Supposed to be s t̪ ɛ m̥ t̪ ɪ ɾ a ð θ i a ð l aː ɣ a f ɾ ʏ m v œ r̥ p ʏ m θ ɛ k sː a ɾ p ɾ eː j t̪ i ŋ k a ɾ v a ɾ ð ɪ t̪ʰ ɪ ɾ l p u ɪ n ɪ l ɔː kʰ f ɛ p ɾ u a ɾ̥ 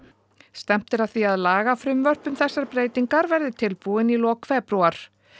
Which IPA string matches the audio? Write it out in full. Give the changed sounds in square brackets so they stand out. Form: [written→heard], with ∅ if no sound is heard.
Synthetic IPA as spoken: s t̪ ɛ m̥ t̪ ɪ ɾ a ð θ i a ð l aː ɣ a f ɾ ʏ m v œ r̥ p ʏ m θ ɛ [k→∅] sː a ɾ p ɾ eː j t̪ i ŋ k a ɾ v [a→ɛ] ɾ ð ɪ t̪ʰ ɪ [ɾ→∅] l p u ɪ n [ɪ→i] l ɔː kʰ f ɛ p ɾ u a ɾ̥